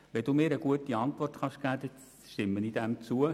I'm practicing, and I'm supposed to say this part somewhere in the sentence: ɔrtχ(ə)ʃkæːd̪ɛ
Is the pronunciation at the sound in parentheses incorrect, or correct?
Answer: incorrect